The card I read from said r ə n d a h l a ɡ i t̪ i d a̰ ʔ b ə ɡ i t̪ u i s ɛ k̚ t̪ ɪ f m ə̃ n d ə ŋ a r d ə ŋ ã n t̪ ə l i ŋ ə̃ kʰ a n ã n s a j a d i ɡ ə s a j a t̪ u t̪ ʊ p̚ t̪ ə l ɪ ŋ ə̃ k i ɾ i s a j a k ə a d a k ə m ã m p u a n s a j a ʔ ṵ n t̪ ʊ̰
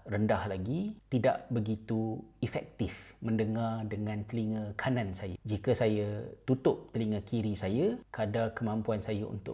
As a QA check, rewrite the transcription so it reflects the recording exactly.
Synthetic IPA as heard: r ə n d a h l a ɡ i t̪ i d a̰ ʔ b ə ɡ i t̪ u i f ɛ k̚ t̪ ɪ f m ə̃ n d ə ŋ a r d ə ŋ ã n t̪ ə l i ŋ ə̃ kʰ a n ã n s a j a d͡ʒ i k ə s a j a t̪ u t̪ ʊ p̚ t̪ ə l i ŋ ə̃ k i ɾ i s a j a k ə a d a k ə m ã m p u a n s a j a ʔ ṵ n t̪ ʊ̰